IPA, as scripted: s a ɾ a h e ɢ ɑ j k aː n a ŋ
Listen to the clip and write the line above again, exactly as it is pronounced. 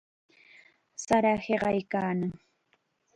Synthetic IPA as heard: s a ɾ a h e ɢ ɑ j k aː n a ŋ